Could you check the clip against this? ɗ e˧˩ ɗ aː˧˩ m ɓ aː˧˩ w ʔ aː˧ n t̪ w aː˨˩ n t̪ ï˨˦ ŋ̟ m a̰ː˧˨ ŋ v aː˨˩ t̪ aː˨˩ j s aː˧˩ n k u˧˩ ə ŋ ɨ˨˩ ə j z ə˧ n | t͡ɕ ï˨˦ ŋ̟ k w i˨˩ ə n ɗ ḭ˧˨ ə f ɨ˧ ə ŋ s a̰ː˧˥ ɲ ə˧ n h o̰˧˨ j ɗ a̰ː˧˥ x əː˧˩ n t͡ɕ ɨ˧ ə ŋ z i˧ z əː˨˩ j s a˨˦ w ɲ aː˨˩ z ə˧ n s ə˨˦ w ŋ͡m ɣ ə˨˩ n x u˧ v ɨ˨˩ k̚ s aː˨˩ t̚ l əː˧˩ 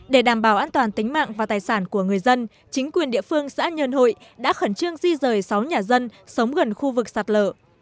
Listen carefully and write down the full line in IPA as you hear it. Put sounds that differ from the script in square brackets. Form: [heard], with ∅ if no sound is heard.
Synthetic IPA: ɗ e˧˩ ɗ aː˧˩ m ɓ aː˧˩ w ʔ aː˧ n t̪ w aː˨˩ n t̪ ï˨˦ ŋ̟ m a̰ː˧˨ ŋ v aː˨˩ t̪ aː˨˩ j s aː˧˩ n k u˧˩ ə ŋ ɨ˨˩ ə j z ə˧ n | t͡ɕ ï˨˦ ŋ̟ k w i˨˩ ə n ɗ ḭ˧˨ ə f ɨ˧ ə ŋ s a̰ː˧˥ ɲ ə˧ n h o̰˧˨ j ɗ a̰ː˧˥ x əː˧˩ n t͡ɕ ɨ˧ ə ŋ z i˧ z əː˨˩ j s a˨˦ w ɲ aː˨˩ z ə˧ n s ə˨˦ w ŋ͡m ɣ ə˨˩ n x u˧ v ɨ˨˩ k̚ s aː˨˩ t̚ l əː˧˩